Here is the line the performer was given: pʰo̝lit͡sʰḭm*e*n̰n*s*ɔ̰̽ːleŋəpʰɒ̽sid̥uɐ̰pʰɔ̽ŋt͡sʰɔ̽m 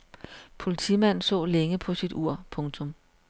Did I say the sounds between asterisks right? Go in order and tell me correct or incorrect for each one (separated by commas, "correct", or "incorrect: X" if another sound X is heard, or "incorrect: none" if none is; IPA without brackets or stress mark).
incorrect: æ, correct